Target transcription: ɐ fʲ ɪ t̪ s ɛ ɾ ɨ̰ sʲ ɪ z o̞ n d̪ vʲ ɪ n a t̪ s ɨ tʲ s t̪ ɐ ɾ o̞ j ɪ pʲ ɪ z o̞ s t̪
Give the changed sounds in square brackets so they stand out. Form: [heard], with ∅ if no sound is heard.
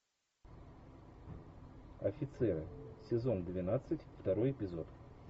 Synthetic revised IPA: ɐ fʲ ɪ t̪ s ɛ ɾ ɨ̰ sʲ ɪ z o̞ n d̪ vʲ ɪ n a t̪ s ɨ tʲ [f] t̪ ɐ ɾ o̞ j ɪ pʲ ɪ z o̞ [∅] t̪